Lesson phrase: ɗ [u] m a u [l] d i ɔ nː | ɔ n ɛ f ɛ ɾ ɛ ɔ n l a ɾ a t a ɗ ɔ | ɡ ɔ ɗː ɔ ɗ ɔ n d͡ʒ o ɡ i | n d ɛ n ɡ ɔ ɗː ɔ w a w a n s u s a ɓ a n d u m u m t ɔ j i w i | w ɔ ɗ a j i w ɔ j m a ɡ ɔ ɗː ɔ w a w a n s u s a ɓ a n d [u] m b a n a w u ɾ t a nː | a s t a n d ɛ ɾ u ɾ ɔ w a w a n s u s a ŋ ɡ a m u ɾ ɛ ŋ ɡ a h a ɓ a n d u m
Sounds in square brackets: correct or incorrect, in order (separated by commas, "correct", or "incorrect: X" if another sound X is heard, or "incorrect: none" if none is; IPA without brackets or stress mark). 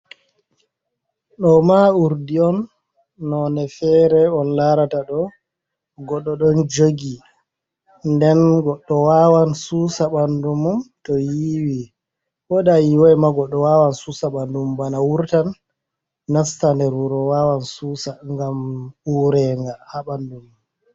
incorrect: ɔ, incorrect: ɾ, correct